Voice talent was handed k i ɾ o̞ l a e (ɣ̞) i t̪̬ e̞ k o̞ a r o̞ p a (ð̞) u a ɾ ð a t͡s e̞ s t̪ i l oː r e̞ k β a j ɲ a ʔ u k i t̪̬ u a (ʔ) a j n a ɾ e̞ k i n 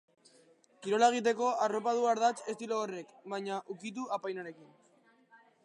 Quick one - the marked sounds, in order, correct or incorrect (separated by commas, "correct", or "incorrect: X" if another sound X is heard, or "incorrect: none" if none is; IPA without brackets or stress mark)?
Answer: correct, correct, incorrect: p